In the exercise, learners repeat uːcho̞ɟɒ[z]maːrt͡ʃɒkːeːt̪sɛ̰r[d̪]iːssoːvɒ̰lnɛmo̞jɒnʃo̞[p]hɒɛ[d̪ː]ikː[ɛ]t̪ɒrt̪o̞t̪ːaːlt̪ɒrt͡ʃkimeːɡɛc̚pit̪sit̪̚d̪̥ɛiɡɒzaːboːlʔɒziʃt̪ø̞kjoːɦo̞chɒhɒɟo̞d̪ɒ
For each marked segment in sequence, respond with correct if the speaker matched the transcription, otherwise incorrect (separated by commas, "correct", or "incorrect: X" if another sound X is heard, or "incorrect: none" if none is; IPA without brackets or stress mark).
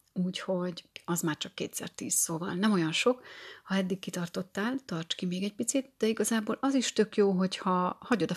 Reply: correct, incorrect: t̪, incorrect: k, correct, incorrect: i